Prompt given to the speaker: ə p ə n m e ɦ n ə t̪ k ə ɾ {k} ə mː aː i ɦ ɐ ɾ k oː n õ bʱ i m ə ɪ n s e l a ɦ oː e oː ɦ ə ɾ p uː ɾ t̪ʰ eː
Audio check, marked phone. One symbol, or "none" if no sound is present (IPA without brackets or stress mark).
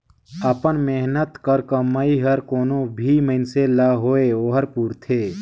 k